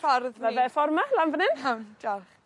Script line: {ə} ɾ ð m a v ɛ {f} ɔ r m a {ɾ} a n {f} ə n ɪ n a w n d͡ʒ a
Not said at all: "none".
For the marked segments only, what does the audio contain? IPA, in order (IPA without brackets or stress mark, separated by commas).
a, f, l, v